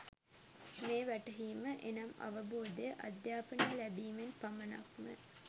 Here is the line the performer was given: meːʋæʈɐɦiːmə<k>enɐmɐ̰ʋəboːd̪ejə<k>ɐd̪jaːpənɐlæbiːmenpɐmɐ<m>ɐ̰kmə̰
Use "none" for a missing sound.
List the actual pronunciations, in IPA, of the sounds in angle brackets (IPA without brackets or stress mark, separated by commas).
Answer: ʔ, ʔ, n